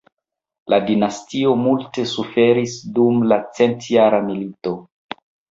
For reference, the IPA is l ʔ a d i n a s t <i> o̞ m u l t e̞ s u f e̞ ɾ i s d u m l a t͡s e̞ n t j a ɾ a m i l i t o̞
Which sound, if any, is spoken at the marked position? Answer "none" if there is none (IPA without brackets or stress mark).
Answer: i